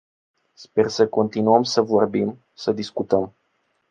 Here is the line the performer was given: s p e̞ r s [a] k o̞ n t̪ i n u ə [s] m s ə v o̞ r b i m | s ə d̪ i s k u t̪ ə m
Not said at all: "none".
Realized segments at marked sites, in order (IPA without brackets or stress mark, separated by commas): ə, none